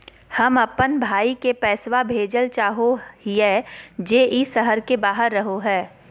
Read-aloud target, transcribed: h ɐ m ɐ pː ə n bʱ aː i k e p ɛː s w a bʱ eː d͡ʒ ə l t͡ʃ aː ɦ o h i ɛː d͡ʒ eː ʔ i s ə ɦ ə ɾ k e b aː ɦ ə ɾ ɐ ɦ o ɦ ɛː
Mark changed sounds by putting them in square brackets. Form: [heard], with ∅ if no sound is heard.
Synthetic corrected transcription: h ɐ m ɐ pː ə n bʱ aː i k e p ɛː s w a bʱ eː d͡ʒ ə l t͡ʃ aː ɦ o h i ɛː d͡ʒ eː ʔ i s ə ɦ ə ɾ k e b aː ɦ ə [ɾː] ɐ ɦ o ɦ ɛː